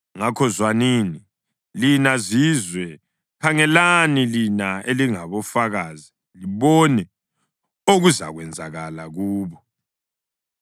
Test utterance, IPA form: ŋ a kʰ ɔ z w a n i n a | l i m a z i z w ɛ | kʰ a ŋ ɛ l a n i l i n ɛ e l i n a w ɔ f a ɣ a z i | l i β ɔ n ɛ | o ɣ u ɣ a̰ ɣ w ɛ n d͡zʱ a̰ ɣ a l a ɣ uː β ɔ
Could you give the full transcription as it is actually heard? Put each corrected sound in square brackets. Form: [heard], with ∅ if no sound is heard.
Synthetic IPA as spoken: ŋ a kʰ ɔ z w a n i n [i] | l i [n] a z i z w ɛ | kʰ a ŋ ɛ l a n i l i n [a] e l i [ŋ] a [β] ɔ f a ɣ a z i | l i β ɔ n ɛ | o ɣ u [z] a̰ ɣ w ɛ n d͡zʱ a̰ ɣ a l a ɣ uː β ɔ

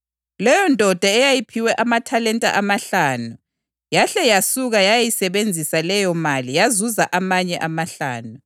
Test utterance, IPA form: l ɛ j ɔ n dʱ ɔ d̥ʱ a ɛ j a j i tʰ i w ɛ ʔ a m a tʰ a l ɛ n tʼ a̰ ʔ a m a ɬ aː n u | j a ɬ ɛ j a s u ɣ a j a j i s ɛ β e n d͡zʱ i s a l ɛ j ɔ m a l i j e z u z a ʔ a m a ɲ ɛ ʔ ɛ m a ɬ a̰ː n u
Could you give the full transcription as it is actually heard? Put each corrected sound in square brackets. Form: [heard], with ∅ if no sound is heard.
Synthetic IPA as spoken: l ɛ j ɔ n dʱ ɔ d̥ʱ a ɛ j a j i [pʰ] i w ɛ ʔ a m a tʰ a l ɛ n tʼ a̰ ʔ a m a ɬ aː n u | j a ɬ ɛ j a s u ɣ a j a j i s ɛ β e n d͡zʱ i s a l ɛ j ɔ m a l i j [a] z u z a ʔ a m a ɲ ɛ ʔ [a] m a ɬ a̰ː n u

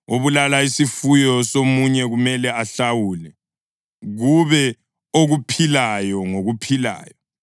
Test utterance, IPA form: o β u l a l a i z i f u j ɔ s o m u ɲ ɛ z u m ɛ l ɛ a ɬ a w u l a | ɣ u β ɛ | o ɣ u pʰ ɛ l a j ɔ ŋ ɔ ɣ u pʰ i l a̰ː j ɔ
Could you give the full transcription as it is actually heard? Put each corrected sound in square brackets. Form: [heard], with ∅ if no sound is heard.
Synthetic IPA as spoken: o β u l a l a i [s] i f u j ɔ s o m u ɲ ɛ [ɣ] u m ɛ l ɛ a ɬ a w u l [ɛ] | ɣ u β ɛ | o ɣ u pʰ [i] l a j ɔ ŋ [o] ɣ u pʰ i l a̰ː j ɔ

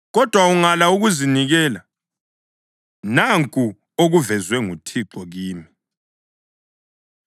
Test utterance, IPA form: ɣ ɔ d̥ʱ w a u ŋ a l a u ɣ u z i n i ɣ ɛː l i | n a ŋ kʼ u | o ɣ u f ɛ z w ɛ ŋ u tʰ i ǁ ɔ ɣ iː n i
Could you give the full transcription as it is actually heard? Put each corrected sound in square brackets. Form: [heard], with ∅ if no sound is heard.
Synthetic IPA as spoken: ɣ ɔ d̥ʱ w a u ŋ a l a u ɣ u z i n i ɣ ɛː l [a] | n a ŋ kʼ u | o ɣ u [v] ɛ z w ɛ ŋ u tʰ i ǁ ɔ ɣ iː [m] i

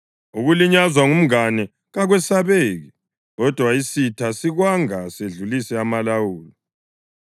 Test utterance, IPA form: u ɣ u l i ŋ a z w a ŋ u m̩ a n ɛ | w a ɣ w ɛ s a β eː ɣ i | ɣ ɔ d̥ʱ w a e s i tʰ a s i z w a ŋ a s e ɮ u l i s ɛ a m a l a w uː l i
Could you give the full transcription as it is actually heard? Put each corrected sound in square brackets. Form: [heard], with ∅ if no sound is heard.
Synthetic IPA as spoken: u ɣ u l i [ɲ] a z w a ŋ u m̩ a n ɛ | [ɣ] a ɣ w ɛ s a β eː ɣ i | ɣ ɔ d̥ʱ w a [i] s i tʰ a s i [ɣ] w a ŋ a s e ɮ u l i s ɛ a m a l a w uː l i

